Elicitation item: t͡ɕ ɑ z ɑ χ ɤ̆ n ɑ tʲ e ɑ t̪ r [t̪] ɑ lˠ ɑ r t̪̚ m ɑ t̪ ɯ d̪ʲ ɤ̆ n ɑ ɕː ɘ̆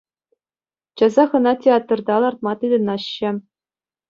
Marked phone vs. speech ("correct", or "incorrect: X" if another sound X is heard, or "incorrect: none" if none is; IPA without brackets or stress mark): incorrect: d̪